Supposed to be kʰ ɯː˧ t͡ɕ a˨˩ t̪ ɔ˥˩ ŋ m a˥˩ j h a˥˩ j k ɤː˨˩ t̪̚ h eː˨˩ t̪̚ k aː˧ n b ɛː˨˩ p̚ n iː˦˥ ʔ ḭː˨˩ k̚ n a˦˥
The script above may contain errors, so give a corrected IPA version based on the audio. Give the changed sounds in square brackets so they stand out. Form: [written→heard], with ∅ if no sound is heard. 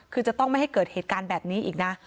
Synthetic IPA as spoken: kʰ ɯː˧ t͡ɕ a˨˩ t̪ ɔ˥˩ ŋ m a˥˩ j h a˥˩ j k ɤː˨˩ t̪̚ h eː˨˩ t̪̚ k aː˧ n b ɛː˨˩ p̚ n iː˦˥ ʔ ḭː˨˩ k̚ n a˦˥